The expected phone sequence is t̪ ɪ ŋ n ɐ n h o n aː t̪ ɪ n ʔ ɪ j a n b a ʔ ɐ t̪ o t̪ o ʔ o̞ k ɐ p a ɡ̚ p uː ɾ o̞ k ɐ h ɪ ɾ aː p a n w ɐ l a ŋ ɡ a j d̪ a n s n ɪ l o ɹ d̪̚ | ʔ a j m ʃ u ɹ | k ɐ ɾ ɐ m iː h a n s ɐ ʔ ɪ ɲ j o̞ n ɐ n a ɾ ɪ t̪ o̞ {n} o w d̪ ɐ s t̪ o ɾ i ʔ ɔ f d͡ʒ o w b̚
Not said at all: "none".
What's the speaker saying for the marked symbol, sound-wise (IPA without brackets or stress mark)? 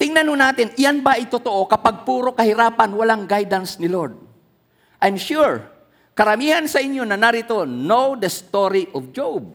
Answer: n